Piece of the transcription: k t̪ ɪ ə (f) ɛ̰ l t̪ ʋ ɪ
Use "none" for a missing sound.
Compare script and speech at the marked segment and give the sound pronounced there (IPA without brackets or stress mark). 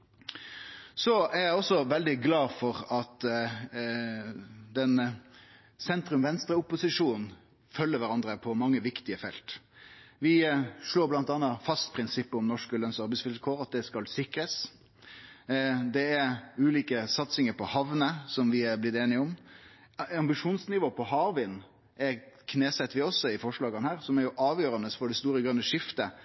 f